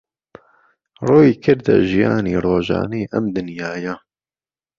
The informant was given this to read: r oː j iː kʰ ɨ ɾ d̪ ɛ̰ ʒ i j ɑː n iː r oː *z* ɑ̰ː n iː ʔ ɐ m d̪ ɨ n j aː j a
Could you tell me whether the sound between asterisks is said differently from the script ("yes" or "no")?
yes